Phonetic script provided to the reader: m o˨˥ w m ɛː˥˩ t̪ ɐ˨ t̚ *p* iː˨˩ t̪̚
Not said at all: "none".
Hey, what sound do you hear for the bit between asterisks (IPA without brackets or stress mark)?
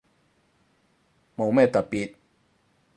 p